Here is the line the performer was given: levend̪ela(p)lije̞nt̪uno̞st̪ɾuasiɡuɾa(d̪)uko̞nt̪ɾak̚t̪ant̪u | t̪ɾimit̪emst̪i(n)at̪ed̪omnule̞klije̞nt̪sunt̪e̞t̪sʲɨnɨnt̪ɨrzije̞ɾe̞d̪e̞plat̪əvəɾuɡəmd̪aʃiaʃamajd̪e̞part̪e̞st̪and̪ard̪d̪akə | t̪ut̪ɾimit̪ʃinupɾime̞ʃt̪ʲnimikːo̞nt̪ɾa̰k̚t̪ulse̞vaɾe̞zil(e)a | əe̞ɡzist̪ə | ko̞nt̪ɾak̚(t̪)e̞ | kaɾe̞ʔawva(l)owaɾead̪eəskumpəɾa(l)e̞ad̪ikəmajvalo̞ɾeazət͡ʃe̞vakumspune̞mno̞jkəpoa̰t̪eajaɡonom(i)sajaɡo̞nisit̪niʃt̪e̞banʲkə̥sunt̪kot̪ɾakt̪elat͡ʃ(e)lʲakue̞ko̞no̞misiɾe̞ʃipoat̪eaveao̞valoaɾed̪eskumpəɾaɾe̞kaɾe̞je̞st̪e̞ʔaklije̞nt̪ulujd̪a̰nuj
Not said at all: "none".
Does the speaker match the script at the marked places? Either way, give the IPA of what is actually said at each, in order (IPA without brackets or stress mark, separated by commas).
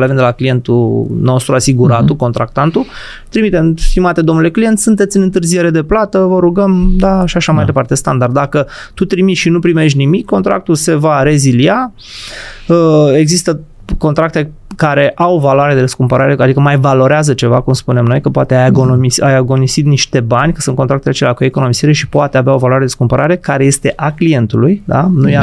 k, t̪, m, i, t̪, l, ɾ, i, e